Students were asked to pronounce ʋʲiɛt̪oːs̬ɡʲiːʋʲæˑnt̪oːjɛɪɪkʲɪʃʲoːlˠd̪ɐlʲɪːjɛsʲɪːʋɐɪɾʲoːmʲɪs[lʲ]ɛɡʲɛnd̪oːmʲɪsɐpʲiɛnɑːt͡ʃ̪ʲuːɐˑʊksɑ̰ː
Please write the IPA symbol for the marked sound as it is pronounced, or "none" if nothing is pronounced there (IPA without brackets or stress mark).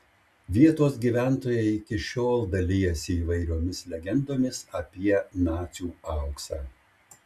lʲ